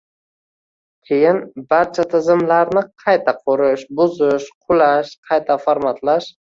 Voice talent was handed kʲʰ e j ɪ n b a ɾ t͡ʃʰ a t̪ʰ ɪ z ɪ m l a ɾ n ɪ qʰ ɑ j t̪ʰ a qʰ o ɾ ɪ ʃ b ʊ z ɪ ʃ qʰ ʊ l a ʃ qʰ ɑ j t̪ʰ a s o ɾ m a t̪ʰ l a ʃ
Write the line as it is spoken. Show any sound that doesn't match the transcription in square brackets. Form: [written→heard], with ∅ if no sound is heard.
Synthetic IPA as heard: kʲʰ e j ɪ n b a ɾ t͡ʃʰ a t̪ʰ ɪ z ɪ m l a ɾ n ɪ qʰ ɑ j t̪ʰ a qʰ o ɾ ɪ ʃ b ʊ z ɪ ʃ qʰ ʊ l a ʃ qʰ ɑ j t̪ʰ a [s→f] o ɾ m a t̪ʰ l a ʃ